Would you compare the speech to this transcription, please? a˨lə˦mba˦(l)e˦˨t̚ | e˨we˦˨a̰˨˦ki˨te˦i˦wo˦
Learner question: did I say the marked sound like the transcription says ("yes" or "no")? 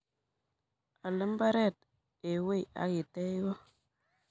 no